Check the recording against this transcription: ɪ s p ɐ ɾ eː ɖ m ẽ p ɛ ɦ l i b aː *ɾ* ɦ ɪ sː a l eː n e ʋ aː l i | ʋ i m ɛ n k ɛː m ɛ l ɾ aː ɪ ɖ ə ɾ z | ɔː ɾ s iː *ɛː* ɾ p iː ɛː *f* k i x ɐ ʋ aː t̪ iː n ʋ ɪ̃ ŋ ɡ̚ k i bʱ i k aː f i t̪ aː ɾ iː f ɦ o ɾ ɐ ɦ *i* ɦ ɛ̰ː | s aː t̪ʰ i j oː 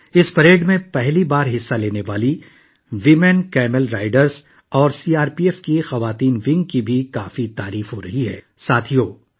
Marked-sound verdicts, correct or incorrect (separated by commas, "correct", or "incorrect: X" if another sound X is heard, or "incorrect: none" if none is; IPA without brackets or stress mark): correct, incorrect: aː, correct, correct